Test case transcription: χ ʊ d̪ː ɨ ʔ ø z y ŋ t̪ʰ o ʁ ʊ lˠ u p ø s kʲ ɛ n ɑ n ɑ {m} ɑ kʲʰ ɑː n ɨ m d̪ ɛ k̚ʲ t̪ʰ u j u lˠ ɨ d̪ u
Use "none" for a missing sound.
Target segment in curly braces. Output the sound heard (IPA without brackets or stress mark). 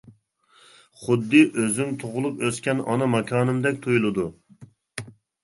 m